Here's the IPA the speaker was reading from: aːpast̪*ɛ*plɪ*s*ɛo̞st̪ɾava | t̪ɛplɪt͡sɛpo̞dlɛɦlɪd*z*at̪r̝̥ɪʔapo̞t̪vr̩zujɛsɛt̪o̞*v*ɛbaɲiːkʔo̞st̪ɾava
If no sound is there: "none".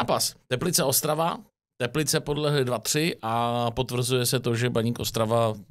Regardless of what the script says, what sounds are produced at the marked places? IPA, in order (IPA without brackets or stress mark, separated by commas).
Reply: ɛ, t͡s, v, ʒ